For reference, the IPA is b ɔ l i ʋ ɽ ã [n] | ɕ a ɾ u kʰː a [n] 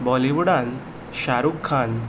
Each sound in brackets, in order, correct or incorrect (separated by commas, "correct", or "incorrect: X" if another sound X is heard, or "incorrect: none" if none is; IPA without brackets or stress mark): correct, correct